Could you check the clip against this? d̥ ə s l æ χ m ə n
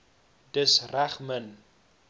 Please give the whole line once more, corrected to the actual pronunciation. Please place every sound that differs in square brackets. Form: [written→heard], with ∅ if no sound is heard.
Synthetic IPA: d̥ ə s [l→r] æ χ m ə n